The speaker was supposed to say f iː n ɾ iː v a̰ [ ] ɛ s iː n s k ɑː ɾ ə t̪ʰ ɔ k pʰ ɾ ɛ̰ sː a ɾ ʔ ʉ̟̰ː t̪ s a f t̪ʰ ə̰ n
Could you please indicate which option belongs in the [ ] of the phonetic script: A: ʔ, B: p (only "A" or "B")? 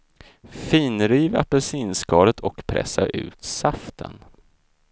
B